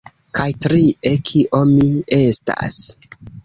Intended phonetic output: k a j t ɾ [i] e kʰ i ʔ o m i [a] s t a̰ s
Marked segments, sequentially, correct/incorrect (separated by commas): correct, incorrect